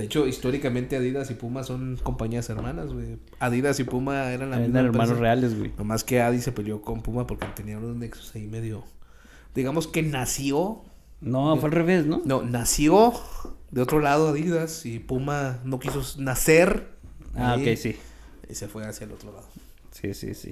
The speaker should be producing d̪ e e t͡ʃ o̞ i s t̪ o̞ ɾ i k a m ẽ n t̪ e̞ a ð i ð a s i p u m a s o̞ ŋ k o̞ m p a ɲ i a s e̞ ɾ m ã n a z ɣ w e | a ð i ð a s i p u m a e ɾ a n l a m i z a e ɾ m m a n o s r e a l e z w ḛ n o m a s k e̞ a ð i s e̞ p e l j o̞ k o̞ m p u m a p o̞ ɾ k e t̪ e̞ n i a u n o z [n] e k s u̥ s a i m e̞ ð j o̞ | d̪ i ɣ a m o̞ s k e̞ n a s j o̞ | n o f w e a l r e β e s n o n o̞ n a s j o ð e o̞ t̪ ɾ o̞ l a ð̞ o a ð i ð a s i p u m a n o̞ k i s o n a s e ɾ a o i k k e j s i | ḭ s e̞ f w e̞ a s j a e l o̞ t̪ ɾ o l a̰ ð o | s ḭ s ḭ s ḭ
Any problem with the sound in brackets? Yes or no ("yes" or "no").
no